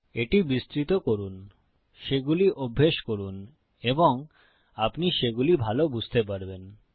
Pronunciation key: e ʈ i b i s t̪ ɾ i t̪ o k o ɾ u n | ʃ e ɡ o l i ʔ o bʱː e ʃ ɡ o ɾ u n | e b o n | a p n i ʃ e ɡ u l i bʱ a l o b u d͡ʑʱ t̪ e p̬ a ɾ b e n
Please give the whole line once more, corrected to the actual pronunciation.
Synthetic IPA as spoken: e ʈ i b i s t̪ ɾ i t̪ o k o ɾ u n | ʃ e ɡ u l i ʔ o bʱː e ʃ k o ɾ u n | e b o ŋ | a p n i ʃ e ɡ u l i bʱ a l o b u d͡ʑʱ t̪ e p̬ a ɾ b e n